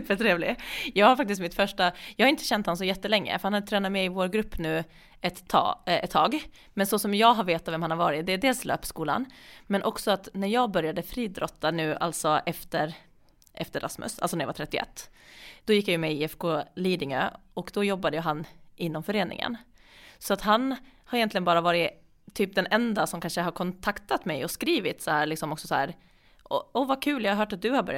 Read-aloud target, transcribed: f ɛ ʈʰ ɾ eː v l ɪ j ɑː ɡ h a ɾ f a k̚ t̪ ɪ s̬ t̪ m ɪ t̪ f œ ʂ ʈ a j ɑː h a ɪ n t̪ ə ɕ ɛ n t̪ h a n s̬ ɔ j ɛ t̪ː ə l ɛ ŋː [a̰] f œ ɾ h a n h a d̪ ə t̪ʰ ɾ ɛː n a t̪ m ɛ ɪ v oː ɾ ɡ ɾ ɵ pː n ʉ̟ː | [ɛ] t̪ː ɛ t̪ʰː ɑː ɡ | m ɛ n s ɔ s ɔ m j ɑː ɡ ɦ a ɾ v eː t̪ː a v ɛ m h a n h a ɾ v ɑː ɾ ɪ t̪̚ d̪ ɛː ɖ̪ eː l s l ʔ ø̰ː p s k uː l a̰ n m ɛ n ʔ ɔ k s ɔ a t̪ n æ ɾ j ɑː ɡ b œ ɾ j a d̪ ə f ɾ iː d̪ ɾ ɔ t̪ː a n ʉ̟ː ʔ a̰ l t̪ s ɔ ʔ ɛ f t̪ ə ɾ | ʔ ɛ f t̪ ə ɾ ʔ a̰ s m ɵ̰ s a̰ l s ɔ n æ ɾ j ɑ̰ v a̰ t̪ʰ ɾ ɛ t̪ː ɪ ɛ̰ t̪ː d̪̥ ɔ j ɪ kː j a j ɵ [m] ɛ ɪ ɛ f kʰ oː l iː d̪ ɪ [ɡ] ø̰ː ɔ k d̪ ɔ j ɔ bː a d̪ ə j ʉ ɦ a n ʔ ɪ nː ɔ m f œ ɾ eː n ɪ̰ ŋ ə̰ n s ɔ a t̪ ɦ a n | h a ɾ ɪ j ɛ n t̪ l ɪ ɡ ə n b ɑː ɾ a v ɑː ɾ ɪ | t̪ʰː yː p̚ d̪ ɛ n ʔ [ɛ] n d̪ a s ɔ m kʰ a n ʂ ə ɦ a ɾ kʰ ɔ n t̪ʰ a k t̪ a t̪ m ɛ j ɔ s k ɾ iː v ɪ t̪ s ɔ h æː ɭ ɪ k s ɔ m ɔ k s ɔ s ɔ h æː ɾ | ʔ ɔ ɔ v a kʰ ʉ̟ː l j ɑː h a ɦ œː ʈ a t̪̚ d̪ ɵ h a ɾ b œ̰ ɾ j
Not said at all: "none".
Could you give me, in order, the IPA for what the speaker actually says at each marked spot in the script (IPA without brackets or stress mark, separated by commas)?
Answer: ə̰, ɛ, m, ŋ, ɛ